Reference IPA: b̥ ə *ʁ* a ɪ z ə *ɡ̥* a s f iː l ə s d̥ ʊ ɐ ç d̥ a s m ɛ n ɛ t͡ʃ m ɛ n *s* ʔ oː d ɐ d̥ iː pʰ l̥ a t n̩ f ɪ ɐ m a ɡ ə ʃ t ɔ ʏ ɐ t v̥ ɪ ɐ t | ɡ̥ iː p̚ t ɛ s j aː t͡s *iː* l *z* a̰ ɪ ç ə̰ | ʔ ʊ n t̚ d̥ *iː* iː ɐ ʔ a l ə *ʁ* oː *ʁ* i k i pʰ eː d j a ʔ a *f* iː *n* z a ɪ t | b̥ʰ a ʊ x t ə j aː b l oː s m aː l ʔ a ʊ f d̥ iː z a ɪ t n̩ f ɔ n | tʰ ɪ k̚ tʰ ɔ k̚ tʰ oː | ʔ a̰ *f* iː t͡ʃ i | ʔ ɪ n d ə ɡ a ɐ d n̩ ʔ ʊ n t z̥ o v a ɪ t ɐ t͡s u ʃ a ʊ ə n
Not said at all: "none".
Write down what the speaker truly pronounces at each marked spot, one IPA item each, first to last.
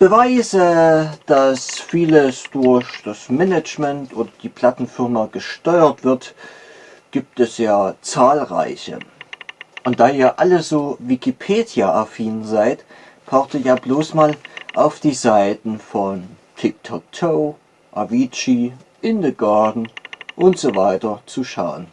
v, d̥, t, aː, ʁ, aː, z, v, f, n, v

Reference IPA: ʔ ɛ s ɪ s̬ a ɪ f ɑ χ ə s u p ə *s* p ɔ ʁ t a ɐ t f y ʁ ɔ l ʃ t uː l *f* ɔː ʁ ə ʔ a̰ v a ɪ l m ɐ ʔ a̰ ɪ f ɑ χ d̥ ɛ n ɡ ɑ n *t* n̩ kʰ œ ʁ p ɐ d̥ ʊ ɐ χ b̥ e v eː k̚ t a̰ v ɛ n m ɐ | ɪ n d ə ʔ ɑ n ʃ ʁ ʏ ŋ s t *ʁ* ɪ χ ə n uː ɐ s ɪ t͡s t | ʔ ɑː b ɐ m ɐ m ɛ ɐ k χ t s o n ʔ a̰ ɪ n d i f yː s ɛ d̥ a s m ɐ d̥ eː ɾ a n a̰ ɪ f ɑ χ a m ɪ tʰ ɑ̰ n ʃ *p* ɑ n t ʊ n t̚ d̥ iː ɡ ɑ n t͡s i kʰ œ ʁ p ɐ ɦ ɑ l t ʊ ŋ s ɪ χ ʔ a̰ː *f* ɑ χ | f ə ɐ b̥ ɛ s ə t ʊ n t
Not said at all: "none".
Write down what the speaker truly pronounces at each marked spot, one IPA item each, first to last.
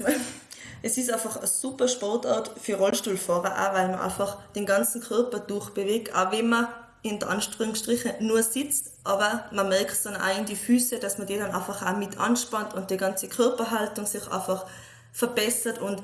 ʃ, f, t͡s, ʁ, p, f

